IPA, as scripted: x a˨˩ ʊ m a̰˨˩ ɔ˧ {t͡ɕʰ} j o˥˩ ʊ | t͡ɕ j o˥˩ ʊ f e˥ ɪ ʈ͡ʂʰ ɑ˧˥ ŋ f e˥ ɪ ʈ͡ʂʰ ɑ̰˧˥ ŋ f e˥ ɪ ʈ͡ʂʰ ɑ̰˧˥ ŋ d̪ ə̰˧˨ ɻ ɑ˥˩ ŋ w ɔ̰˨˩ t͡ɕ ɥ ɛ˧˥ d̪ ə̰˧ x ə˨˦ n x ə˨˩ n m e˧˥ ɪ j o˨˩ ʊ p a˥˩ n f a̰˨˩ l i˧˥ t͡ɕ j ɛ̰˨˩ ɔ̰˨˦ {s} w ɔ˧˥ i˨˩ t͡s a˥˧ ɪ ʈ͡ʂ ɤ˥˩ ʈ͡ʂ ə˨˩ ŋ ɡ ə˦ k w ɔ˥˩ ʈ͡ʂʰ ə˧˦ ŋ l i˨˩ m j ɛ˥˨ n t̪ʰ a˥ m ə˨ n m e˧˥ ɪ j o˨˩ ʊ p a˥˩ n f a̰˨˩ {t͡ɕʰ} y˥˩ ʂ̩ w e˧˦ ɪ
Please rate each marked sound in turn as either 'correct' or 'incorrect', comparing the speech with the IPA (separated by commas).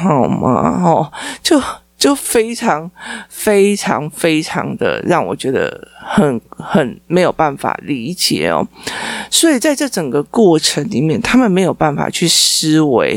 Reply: incorrect, correct, correct